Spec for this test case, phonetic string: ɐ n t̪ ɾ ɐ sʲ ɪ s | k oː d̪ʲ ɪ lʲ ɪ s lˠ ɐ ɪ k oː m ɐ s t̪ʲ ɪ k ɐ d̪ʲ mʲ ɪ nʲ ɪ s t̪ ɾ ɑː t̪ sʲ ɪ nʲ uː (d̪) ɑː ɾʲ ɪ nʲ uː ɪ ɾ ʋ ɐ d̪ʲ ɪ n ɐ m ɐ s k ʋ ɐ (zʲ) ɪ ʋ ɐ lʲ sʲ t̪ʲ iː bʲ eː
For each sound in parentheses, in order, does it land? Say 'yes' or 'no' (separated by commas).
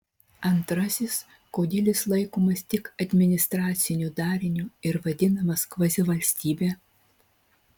yes, yes